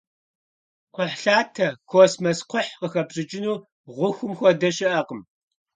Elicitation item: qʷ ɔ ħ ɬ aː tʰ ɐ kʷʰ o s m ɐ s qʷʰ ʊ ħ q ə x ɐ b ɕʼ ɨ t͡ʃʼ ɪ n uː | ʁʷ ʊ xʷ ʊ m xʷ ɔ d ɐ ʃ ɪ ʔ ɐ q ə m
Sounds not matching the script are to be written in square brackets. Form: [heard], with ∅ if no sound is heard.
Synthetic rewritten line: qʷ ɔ ħ ɬ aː tʰ ɐ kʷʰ o s m ɐ s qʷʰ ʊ ħ q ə x ɐ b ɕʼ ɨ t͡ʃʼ ɪ n uː | ʁʷ ʊ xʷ ʊ m xʷ ɔ d ɐ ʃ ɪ ʔ ɐ q ə m